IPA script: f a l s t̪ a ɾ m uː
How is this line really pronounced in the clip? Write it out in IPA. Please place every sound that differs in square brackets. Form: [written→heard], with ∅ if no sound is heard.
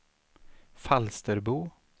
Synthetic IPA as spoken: f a l s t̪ [a→ə] ɾ [m→b] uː